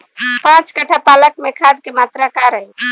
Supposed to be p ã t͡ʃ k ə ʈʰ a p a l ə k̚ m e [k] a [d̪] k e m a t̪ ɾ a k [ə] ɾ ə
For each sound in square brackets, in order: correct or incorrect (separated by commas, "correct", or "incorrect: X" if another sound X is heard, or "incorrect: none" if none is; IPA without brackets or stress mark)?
incorrect: kʰ, correct, incorrect: a